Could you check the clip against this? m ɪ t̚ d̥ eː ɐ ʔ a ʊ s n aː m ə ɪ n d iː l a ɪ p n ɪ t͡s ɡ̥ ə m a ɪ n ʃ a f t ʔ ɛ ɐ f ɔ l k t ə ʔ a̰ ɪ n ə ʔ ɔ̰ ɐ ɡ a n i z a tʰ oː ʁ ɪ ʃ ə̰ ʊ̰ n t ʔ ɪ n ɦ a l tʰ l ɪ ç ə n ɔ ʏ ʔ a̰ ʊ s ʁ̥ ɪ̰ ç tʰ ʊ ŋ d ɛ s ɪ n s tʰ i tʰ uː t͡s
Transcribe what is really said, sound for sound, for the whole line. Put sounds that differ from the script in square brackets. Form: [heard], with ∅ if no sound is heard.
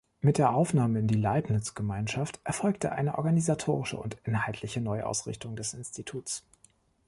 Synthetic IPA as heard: m ɪ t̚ d̥ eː ɐ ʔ a ʊ [f] n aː m ə ɪ n d iː l a ɪ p n ɪ t͡s ɡ̥ ə m a ɪ n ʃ a f t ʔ ɛ ɐ f ɔ l k t ə ʔ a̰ ɪ n ə ʔ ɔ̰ ɐ ɡ a n i z a tʰ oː ʁ ɪ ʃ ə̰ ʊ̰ n t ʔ ɪ n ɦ a l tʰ l ɪ ç ə n ɔ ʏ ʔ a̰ ʊ s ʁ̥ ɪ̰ ç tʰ ʊ ŋ d ɛ s ɪ n s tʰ i tʰ uː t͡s